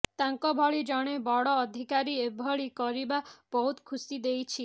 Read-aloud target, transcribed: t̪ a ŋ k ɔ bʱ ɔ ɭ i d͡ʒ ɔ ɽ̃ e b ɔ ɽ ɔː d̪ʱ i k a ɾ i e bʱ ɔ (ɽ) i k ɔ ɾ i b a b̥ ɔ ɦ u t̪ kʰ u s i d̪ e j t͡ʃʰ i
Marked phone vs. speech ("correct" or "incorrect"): incorrect